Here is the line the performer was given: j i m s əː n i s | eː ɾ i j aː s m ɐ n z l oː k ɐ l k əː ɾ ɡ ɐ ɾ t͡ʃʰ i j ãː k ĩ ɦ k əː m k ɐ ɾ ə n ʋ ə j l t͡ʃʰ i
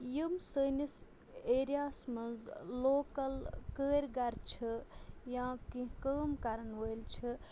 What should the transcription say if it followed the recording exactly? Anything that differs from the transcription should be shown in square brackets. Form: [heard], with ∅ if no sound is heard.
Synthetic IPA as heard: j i m s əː n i s | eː ɾ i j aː s m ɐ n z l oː k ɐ l k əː ɾ ɡ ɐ ɾ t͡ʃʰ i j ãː k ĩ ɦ k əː m k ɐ ɾ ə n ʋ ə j l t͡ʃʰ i